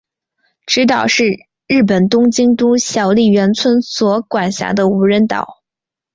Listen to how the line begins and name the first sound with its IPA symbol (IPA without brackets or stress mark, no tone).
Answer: ʈ͡ʂ